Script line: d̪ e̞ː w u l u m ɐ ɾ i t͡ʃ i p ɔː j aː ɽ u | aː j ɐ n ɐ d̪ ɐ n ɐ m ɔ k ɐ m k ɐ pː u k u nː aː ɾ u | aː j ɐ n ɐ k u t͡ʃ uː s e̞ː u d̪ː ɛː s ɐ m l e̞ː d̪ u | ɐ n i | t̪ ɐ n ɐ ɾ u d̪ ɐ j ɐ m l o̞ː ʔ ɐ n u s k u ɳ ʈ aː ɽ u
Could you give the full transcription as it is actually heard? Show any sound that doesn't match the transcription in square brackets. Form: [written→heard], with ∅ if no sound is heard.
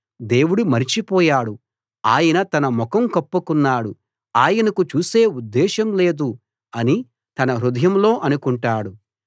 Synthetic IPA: d̪ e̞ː w u [l→ɽ] u m ɐ ɾ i t͡ʃ i p ɔː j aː ɽ u | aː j ɐ n ɐ [d̪→t̪] ɐ n ɐ m ɔ k ɐ m k ɐ pː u k u nː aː [ɾ→ɽ] u | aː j ɐ n ɐ k u t͡ʃ uː s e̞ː u d̪ː ɛː [s→ʃ] ɐ m l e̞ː d̪ u | ɐ n i | t̪ ɐ n ɐ ɾ u d̪ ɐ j ɐ m l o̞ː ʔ ɐ n u [s→∅] k u ɳ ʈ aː ɽ u